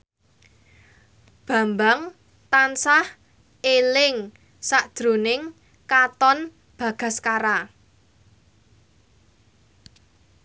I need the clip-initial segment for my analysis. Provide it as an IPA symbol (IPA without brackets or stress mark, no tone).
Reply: b̥